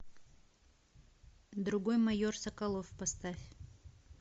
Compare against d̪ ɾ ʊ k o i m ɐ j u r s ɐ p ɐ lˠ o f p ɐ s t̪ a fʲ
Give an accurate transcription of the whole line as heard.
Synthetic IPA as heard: d̪ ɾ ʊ ɡ o j m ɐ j o r s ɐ k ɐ lˠ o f p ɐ s t̪ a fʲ